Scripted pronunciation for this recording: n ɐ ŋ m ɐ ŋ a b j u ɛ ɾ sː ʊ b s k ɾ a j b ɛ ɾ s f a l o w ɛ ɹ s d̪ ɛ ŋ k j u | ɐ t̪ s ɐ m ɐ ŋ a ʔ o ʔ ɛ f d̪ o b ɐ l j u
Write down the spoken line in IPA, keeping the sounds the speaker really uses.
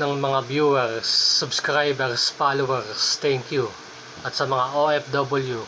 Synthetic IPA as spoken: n ɐ ŋ m ɐ ŋ a b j u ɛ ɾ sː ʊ b s k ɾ a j b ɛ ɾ s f a l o w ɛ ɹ s t̪ ɛ ŋ k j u | ɐ t̪ s ɐ m ɐ ŋ a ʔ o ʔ ɛ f d̪ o b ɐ l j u